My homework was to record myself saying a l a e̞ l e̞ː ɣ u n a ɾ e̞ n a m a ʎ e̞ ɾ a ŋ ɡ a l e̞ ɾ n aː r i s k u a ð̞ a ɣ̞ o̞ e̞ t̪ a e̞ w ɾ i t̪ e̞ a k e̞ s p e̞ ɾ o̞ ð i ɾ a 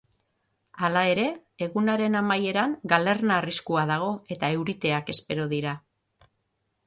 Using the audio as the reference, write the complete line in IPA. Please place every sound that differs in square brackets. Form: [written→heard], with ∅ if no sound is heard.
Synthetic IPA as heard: a l a e̞ [l→ɾ] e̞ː ɣ u n a ɾ e̞ n a m a [ʎ→j] e̞ ɾ a ŋ ɡ a l e̞ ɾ n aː r i s k u a ð̞ a ɣ̞ o̞ e̞ t̪ a e̞ w ɾ i t̪ e̞ a k e̞ s p e̞ ɾ o̞ ð i ɾ a